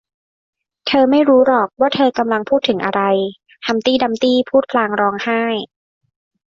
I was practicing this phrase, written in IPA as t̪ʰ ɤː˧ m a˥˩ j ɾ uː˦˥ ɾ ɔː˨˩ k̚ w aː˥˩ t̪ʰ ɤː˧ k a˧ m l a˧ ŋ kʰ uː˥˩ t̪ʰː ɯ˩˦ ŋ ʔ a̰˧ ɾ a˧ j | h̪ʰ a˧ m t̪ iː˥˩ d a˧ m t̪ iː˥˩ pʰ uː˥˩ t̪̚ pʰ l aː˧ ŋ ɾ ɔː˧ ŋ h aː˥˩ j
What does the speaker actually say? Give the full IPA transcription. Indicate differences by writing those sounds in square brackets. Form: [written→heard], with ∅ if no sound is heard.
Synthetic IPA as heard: t̪ʰ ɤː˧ m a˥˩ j ɾ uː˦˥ ɾ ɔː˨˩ k̚ w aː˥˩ t̪ʰ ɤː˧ k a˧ m l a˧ ŋ [kʰ→pʰ] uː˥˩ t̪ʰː ɯ˩˦ ŋ ʔ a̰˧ ɾ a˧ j | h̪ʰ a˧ m t̪ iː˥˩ d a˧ m t̪ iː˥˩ pʰ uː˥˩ t̪̚ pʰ l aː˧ ŋ ɾ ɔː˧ ŋ h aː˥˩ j